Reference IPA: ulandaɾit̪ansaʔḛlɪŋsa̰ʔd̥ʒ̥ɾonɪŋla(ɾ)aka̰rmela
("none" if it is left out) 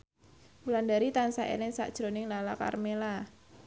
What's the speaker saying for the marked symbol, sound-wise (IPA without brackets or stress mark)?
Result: l